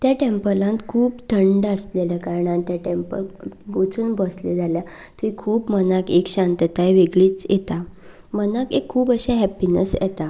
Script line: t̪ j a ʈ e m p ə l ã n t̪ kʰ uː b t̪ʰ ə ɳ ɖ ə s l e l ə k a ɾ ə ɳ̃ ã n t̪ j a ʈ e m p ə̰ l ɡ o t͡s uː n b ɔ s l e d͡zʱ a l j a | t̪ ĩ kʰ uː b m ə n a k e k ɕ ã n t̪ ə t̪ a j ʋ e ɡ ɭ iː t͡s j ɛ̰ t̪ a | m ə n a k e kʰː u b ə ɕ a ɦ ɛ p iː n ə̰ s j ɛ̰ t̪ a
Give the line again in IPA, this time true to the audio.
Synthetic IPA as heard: t̪ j a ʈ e m p ə l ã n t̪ kʰ uː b t̪ʰ ə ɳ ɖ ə s l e l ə k a ɾ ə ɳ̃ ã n t̪ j a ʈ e m p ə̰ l ɡ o t͡s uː n b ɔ s l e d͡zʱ a l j a | t̪ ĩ kʰ uː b m ə n a k e k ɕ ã n t̪ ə t̪ a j ʋ e ɡ ɭ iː t͡s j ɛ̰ t̪ a | m ə n a k e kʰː uː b ə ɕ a ɦ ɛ p i n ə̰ s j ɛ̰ t̪ a